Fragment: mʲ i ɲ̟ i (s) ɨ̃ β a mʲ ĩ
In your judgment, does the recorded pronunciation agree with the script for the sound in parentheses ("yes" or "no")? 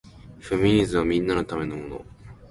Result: no